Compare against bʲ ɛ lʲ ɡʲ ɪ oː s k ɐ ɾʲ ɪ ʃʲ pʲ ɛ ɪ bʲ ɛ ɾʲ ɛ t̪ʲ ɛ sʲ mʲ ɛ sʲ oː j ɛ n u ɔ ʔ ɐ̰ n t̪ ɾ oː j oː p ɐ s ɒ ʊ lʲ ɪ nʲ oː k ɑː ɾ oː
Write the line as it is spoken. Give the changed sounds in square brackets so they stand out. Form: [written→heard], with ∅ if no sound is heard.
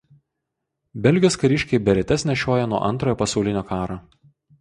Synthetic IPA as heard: bʲ ɛ lʲ ɡʲ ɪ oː s k ɐ ɾʲ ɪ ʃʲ [pʲ→kʲ] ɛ ɪ bʲ ɛ ɾʲ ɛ t̪ʲ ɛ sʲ [mʲ→nʲ] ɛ [sʲ→ʃʲ] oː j ɛ n u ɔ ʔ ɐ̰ n t̪ ɾ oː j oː p ɐ s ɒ ʊ lʲ ɪ nʲ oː k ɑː ɾ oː